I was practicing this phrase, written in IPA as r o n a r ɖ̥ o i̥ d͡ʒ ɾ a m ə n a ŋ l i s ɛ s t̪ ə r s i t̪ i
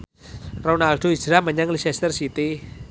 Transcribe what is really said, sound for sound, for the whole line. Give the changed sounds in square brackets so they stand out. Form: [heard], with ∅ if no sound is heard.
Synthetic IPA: r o n a [l] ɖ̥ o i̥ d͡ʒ ɾ a m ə [ɲ] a ŋ l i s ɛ s t̪ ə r s i t̪ i

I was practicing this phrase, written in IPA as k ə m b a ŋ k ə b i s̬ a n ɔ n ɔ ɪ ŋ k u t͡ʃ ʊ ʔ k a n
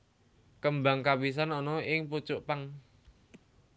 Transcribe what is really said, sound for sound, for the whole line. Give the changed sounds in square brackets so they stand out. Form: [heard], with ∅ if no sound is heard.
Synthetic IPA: k ə m b a ŋ k [a] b i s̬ a n ɔ n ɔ ɪ ŋ [p] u t͡ʃ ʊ ʔ [p] a [ŋ]

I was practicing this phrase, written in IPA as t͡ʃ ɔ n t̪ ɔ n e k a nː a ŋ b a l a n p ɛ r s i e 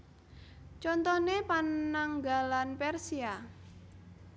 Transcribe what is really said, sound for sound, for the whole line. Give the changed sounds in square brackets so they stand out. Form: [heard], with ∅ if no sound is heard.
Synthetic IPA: t͡ʃ ɔ n t̪ ɔ n e [p] a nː a ŋ [ɡ] a l a n p ɛ r s i [a]

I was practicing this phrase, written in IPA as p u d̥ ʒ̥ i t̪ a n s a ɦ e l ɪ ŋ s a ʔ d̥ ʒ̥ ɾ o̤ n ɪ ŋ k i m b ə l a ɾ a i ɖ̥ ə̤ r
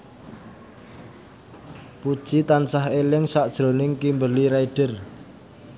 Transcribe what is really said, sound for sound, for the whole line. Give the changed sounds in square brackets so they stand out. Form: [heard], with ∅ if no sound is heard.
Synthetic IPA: p u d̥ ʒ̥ i t̪ a n s a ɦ e l ɪ ŋ s a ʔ d̥ ʒ̥ ɾ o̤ n ɪ ŋ k i m b ə l [i] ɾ a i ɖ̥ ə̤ r

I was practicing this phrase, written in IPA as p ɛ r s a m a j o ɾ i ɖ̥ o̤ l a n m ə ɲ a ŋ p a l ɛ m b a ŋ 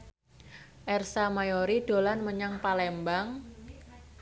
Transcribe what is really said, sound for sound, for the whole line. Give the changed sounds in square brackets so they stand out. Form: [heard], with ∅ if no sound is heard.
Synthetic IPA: [ʔ] ɛ r s a m a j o ɾ i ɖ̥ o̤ l a n m ə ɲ a ŋ p a l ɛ m b a ŋ

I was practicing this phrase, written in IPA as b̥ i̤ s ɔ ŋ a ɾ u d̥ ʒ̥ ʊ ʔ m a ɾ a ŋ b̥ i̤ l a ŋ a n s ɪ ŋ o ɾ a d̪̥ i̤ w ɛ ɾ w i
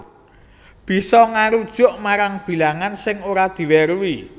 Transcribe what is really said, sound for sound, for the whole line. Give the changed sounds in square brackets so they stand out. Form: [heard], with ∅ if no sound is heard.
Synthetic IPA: b̥ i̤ s ɔ ŋ a ɾ u d̥ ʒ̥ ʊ ʔ m a ɾ a ŋ b̥ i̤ l a ŋ a n s ɪ ŋ o ɾ a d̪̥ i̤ w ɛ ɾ w i

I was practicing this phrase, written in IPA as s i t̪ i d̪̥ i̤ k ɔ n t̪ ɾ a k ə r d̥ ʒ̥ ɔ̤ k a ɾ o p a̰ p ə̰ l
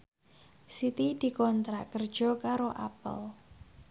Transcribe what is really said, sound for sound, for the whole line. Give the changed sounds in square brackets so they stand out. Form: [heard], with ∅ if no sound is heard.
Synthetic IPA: s i t̪ i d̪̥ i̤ k ɔ n t̪ ɾ a k ə r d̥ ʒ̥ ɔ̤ k a ɾ o [ʔ] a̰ p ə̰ l

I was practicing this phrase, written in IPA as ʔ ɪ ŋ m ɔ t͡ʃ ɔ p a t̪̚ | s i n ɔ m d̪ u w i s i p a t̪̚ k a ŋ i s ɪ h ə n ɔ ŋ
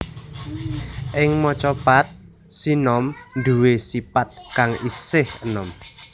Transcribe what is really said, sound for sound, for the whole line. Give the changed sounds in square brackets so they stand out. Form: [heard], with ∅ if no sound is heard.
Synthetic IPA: ʔ ɪ ŋ m ɔ t͡ʃ ɔ p a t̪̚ | s i n ɔ m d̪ u w [e] s i p a t̪̚ k a ŋ i s ɪ h ə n ɔ [m]

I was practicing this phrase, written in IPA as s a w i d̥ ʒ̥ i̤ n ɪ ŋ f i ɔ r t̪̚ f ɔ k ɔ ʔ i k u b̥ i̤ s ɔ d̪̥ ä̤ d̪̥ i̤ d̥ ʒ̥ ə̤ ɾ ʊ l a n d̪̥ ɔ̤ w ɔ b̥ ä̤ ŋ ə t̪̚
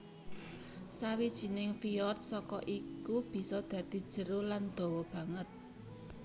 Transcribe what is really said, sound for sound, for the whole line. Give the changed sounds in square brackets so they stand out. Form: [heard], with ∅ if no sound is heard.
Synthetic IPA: s a w i d̥ ʒ̥ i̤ n ɪ ŋ f i ɔ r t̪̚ [s] ɔ k ɔ ʔ i k u b̥ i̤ s ɔ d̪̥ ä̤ d̪̥ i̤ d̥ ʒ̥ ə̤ ɾ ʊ l a n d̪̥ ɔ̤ w ɔ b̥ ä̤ ŋ ə t̪̚

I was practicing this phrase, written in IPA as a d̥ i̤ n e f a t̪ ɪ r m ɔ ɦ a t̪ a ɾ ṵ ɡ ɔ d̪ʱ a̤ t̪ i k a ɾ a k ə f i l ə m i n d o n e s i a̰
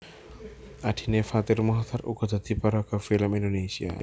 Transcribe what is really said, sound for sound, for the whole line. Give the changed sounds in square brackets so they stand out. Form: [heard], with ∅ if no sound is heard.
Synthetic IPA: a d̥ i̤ n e f a t̪ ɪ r m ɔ ɦ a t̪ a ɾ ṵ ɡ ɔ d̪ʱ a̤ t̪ i [p] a ɾ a k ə f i l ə m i n d o n e s i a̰

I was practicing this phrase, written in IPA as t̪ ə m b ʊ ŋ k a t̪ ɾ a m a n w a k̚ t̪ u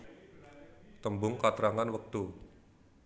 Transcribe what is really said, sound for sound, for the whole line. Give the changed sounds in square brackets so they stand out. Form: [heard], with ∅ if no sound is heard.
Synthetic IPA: t̪ ə m b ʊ ŋ k a t̪ ɾ a [ŋ] a n w [ə] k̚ t̪ u

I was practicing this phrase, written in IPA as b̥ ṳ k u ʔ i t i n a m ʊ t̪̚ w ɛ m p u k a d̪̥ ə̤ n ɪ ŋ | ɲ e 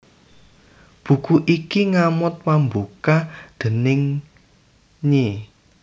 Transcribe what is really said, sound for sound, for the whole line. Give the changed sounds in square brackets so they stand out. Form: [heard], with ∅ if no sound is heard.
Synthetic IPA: b̥ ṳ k u ʔ i [k] i [ŋ] a m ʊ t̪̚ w [a] m [b] u k a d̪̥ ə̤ n ɪ ŋ | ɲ e

